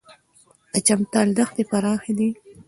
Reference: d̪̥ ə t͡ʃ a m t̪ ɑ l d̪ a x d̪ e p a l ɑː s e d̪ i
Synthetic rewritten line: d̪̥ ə t͡ʃ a m t̪ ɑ l d̪ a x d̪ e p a ɾ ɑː x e d̪ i